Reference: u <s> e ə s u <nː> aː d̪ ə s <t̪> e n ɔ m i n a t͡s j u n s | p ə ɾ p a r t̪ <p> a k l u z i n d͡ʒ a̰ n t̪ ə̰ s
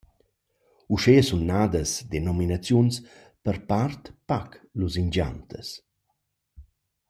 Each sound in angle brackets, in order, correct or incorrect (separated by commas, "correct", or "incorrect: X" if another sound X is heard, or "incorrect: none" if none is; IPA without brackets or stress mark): incorrect: ʃ, correct, incorrect: d̪, correct